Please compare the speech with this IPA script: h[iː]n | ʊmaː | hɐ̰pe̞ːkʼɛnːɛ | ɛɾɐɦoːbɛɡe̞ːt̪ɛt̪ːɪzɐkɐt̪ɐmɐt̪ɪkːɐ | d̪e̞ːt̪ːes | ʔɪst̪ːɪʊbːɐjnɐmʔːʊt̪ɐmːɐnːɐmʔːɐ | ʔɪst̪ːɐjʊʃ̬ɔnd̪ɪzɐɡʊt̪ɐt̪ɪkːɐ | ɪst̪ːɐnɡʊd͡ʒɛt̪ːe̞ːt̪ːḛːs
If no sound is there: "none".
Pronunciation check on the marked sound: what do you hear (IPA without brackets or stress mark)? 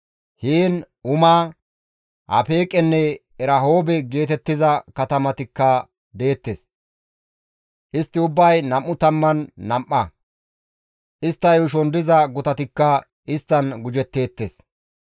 iː